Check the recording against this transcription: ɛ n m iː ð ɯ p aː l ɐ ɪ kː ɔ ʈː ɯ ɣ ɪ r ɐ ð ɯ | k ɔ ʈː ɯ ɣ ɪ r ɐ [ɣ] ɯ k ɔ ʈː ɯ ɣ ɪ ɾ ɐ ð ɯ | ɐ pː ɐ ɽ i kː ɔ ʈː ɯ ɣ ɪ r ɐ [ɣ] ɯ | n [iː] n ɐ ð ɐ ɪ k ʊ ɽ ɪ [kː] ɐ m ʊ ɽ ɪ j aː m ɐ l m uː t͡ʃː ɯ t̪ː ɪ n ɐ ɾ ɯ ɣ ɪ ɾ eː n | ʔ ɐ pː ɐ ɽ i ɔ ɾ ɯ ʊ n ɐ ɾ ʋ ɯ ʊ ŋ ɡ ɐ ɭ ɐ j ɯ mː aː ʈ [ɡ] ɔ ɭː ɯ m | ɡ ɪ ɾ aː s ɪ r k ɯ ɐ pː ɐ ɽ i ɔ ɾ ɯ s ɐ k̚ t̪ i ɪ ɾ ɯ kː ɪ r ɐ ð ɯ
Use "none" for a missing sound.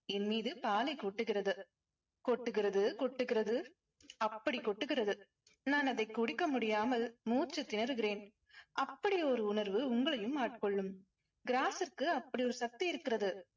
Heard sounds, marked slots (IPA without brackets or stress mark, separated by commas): ð, ð, aː, kː, k